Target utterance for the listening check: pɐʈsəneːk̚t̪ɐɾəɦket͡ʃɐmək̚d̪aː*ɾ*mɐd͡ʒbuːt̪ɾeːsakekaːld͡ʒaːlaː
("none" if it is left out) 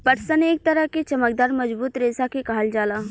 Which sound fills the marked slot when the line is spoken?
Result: ɾ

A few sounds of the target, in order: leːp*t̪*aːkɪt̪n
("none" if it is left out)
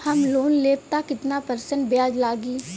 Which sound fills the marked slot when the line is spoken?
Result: t̪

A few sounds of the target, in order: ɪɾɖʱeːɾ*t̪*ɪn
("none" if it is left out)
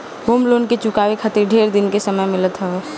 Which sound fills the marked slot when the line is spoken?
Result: d̪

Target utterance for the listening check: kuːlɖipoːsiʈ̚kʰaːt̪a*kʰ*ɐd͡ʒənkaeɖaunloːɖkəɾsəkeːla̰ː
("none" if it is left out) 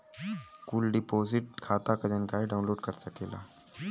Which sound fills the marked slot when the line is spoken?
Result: k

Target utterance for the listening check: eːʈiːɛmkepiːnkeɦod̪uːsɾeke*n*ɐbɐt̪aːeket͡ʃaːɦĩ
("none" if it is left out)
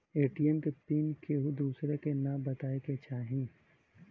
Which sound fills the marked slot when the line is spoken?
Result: n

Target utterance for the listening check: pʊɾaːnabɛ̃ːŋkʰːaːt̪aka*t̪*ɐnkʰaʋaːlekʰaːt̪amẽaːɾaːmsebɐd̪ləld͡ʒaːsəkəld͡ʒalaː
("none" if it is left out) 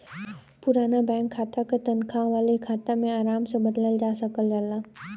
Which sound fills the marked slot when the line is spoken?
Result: t̪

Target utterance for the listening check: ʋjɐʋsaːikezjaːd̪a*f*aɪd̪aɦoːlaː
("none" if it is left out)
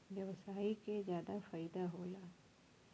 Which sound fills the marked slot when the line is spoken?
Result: f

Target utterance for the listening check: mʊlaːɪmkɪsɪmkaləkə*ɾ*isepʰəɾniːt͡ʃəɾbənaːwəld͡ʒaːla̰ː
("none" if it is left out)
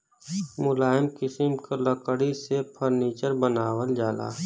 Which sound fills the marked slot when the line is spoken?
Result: ɽ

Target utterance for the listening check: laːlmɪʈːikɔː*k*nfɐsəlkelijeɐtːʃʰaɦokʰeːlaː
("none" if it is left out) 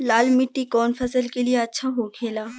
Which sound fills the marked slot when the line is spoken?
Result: none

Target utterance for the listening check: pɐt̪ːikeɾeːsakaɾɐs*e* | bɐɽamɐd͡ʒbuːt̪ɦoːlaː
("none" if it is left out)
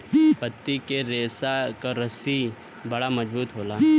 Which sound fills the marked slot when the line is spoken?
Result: i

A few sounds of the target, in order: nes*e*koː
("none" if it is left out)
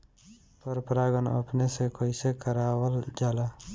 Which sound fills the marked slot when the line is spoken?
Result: e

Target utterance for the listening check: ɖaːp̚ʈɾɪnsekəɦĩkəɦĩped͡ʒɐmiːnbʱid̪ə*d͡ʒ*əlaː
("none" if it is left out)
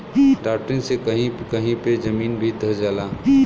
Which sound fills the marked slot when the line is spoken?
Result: d͡ʒ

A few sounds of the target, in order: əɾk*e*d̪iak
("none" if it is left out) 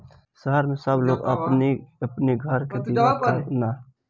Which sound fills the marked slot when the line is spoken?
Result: e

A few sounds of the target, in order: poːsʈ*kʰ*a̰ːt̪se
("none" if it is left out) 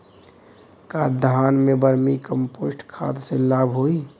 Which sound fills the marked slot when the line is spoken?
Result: kʰ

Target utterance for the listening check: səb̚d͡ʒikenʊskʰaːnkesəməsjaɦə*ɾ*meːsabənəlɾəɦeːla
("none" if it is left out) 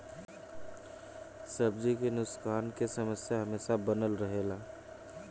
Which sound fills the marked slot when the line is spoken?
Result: none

